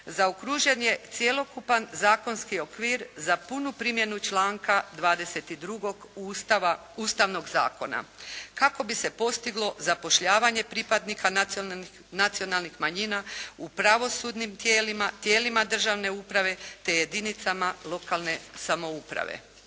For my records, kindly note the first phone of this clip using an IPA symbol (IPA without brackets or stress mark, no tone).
z